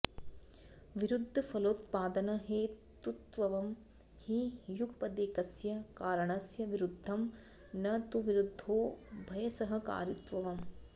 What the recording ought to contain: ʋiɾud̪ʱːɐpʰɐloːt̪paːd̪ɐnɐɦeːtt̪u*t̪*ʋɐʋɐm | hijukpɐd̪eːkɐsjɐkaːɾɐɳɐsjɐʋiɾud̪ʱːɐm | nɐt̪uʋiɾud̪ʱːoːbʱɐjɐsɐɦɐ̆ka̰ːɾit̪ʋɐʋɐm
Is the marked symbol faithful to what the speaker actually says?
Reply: yes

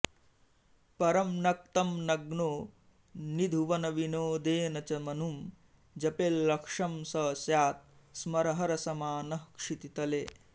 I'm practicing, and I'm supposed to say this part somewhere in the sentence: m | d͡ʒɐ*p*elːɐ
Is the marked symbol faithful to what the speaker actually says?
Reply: yes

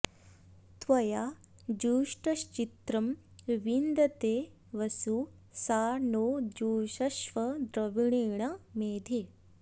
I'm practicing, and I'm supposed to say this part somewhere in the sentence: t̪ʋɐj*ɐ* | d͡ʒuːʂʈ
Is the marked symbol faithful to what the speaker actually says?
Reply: no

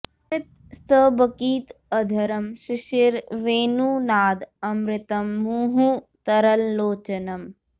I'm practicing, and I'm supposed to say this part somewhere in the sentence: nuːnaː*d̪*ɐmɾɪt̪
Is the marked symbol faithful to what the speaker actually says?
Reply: yes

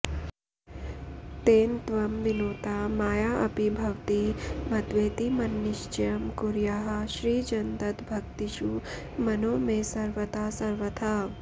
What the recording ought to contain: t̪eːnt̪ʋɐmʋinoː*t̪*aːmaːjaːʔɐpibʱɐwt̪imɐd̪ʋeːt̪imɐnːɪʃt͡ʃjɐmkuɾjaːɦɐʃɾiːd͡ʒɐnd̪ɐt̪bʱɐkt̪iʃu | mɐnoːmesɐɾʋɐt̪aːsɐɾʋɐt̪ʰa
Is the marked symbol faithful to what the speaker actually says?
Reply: yes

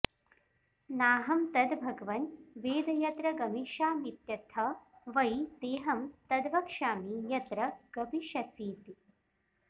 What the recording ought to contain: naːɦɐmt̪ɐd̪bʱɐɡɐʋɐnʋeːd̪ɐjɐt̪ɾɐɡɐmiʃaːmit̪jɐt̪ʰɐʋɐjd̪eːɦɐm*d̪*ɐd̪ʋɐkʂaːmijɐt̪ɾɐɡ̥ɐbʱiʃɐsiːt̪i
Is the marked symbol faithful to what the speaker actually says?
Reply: no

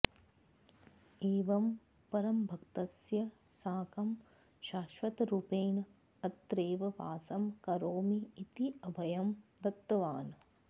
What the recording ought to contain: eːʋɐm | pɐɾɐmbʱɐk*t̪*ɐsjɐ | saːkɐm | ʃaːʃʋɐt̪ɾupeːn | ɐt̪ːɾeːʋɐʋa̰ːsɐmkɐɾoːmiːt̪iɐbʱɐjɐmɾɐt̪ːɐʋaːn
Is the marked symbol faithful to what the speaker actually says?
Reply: yes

